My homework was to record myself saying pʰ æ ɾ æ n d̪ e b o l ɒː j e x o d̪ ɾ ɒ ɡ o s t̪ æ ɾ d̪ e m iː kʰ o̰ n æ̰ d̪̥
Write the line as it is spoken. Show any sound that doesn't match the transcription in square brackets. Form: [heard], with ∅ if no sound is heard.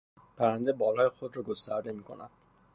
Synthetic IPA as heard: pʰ æ ɾ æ n d̪ e b [ɒ] l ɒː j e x o d̪ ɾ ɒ ɡ o s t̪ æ ɾ d̪ e m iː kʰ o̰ n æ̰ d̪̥